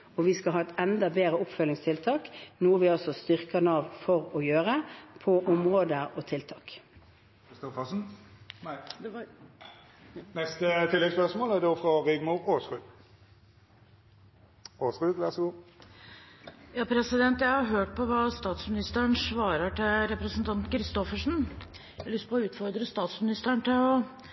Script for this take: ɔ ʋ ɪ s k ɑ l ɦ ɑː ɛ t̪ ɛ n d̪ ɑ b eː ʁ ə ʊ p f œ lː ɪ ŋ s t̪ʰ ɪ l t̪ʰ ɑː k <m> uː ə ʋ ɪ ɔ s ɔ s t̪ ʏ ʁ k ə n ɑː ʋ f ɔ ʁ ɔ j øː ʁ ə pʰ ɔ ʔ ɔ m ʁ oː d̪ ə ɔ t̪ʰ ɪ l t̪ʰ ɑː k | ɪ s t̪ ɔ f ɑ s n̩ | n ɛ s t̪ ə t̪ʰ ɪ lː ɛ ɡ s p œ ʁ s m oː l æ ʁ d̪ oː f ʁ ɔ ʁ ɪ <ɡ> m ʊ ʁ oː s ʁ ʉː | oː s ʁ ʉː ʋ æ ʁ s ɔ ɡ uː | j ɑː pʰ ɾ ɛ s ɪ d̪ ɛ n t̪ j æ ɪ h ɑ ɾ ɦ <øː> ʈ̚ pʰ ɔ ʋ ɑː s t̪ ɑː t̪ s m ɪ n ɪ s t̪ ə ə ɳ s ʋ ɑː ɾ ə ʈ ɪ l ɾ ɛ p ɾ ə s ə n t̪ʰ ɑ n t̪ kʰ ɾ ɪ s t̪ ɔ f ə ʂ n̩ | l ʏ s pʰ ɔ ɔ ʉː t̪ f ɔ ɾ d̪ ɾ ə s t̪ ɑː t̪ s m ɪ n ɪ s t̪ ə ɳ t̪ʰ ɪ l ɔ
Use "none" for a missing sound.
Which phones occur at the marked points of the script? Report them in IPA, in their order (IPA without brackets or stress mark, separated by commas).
n, ɡ, øː